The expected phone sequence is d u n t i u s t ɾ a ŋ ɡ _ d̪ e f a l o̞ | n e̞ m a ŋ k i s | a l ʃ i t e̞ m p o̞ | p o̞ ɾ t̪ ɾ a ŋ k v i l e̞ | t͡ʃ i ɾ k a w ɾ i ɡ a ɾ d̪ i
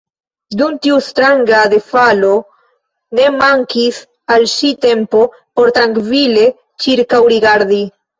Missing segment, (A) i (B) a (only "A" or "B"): B